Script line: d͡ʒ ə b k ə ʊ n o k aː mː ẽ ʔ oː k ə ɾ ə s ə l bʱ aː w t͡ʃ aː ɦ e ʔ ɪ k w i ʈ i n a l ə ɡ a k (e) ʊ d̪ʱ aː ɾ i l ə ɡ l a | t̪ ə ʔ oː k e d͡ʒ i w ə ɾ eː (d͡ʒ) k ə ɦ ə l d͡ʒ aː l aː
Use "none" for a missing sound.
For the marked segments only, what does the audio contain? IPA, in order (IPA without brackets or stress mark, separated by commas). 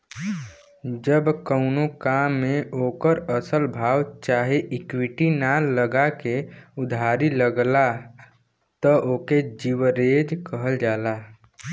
e, d͡ʒ